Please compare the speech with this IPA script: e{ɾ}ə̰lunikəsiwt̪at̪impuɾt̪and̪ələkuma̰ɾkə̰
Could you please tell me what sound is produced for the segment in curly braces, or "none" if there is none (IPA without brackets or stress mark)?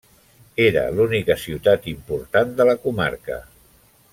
ɾ